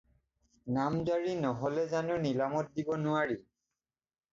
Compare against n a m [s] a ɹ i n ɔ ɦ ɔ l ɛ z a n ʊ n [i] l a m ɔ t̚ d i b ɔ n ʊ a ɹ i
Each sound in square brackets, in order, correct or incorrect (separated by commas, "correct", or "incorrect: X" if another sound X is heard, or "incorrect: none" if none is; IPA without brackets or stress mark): incorrect: z, correct